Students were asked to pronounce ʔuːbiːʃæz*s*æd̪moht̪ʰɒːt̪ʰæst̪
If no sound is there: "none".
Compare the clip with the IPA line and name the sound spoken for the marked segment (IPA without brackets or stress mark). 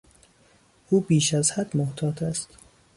h